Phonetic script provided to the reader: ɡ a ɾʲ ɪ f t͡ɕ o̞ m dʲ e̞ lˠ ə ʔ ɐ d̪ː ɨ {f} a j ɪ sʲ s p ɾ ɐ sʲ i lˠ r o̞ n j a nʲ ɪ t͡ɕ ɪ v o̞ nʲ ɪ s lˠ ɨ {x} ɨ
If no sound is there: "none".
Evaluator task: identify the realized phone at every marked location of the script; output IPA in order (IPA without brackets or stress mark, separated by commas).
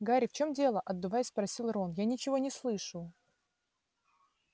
v, ʂ